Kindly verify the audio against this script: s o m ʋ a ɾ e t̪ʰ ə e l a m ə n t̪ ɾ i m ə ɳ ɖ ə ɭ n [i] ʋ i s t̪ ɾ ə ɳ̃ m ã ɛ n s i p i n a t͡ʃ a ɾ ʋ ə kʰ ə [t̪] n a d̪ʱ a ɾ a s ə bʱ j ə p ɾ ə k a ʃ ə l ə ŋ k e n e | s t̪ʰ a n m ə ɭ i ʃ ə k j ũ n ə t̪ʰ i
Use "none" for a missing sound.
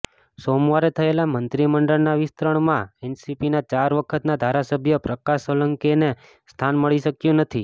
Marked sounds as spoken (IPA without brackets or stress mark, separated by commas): a, t̪